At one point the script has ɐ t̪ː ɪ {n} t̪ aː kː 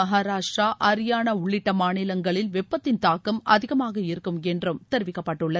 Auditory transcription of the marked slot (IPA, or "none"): n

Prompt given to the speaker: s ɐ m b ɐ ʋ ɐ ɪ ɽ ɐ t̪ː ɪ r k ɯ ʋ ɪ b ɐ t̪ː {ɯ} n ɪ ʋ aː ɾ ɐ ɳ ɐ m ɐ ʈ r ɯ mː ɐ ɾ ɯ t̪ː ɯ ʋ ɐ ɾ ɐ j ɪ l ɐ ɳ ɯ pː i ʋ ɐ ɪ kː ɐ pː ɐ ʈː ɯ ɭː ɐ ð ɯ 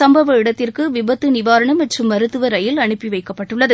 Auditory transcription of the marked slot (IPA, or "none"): ɯ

